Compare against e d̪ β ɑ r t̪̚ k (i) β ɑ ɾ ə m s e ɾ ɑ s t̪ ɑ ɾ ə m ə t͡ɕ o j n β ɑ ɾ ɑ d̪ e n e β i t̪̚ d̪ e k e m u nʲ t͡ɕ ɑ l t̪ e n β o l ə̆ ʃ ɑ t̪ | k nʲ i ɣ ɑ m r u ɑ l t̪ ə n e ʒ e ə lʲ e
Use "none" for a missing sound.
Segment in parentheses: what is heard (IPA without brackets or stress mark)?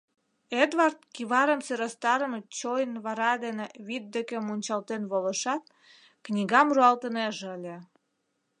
i